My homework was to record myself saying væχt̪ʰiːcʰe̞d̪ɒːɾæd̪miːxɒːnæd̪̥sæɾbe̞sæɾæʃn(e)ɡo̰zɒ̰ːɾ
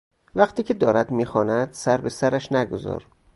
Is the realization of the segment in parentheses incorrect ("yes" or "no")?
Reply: yes